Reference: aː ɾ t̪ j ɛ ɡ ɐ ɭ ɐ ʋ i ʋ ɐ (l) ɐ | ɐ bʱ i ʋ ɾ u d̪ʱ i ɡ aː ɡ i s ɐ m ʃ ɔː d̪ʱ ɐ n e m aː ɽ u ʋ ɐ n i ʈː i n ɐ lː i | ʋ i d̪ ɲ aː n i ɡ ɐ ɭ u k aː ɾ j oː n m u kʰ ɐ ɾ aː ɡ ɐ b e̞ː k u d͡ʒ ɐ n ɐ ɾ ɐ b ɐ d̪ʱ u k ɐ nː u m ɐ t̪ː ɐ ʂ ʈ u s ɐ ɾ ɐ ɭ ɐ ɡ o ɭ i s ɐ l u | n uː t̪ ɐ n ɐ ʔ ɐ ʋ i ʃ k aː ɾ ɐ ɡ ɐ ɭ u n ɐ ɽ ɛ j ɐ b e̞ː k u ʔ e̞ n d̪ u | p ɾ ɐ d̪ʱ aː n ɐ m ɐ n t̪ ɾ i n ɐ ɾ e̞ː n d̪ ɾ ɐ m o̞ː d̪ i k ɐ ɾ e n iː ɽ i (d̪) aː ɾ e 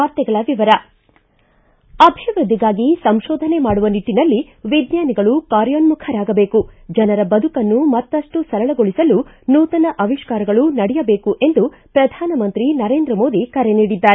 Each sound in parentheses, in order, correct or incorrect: incorrect, incorrect

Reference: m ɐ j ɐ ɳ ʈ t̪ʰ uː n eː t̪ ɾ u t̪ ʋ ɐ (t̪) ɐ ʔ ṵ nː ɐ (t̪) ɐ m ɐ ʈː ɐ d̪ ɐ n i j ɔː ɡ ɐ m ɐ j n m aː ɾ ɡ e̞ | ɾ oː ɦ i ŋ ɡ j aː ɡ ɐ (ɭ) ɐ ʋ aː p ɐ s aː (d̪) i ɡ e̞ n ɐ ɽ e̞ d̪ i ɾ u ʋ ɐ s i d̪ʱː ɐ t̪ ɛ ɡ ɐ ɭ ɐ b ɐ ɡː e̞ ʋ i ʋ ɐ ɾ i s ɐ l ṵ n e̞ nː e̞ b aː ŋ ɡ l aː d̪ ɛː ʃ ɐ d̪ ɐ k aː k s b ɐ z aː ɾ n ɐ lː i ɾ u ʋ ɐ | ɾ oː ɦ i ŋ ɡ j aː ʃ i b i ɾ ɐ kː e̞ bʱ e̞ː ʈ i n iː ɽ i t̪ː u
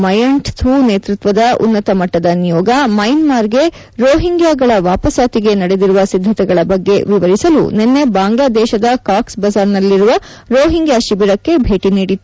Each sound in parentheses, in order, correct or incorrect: incorrect, correct, correct, incorrect

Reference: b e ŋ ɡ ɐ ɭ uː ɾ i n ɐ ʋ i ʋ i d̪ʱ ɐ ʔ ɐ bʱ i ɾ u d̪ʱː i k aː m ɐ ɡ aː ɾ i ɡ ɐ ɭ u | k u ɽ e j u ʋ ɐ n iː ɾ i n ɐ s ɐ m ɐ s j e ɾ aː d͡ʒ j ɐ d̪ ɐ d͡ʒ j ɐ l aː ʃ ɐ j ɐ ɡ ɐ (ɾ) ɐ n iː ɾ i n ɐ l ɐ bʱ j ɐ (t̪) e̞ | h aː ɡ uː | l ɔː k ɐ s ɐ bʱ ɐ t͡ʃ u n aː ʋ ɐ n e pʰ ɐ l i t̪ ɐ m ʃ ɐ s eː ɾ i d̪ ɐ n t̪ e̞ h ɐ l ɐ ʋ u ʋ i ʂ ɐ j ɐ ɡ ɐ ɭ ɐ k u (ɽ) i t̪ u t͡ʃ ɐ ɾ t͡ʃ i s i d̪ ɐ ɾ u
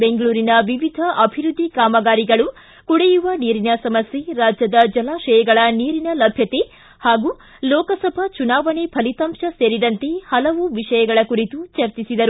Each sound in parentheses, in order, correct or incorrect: incorrect, correct, incorrect

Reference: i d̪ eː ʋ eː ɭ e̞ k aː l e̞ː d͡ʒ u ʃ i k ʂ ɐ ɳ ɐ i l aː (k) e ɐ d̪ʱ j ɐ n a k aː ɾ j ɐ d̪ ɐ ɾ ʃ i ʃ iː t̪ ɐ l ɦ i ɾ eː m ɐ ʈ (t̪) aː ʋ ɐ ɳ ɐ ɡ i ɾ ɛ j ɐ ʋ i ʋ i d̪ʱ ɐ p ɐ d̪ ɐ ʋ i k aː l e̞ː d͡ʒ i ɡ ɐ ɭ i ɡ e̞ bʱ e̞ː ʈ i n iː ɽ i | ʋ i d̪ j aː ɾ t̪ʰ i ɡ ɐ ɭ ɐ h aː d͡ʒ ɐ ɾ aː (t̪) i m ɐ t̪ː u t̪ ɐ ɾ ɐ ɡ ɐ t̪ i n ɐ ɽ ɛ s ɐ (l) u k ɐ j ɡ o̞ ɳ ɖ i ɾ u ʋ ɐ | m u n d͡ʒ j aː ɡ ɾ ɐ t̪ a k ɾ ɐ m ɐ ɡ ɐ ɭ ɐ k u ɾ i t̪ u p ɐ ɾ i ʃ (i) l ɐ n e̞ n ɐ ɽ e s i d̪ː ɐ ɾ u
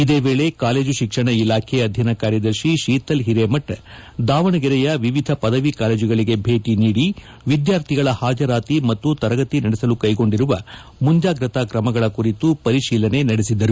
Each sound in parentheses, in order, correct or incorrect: incorrect, incorrect, correct, correct, incorrect

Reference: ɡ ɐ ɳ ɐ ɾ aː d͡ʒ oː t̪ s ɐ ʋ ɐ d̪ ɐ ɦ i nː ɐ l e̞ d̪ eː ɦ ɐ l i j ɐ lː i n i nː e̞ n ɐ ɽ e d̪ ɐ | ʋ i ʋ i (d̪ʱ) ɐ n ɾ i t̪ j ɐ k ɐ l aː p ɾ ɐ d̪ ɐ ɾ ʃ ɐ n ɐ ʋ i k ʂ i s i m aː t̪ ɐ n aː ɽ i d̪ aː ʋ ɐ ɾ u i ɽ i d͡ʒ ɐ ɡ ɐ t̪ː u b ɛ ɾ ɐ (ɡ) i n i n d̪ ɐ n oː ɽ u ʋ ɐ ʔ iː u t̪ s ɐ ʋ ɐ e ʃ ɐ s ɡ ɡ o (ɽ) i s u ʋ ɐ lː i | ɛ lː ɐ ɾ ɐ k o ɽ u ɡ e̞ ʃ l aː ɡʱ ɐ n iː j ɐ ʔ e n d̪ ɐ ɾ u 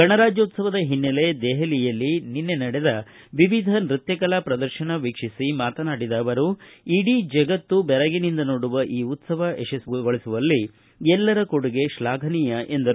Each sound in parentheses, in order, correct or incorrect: correct, correct, incorrect

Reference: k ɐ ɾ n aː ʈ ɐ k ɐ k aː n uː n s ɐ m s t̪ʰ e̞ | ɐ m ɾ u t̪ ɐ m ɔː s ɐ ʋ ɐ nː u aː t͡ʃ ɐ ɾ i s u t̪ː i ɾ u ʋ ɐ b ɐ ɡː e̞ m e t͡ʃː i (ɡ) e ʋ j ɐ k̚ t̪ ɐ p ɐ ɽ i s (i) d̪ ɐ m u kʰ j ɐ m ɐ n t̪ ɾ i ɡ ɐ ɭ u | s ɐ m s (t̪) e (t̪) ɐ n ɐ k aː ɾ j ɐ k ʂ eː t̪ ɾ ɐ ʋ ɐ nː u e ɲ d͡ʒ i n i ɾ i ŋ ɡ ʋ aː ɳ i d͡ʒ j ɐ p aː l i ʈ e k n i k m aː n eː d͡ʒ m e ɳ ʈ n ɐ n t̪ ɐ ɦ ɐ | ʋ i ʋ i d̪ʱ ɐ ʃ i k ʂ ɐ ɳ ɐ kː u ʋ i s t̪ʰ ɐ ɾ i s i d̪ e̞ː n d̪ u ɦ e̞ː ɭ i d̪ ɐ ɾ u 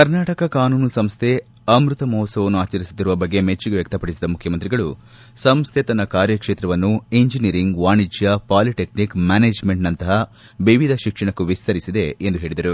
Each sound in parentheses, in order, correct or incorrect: correct, correct, incorrect, correct

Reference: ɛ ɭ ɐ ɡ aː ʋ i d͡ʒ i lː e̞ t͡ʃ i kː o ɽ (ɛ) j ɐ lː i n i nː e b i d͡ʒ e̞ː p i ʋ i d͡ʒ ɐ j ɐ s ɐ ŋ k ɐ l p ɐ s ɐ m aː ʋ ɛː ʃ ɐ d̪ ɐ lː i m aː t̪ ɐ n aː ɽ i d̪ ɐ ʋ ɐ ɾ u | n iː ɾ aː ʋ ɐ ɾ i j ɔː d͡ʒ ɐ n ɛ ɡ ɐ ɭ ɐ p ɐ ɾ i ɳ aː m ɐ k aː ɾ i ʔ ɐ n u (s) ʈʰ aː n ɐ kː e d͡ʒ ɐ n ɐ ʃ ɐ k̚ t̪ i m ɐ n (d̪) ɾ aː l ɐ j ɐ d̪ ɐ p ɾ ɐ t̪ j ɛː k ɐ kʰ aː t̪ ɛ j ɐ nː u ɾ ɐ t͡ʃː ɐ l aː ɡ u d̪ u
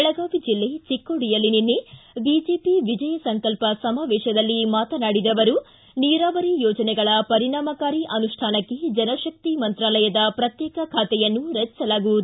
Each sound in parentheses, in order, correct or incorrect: incorrect, incorrect, incorrect

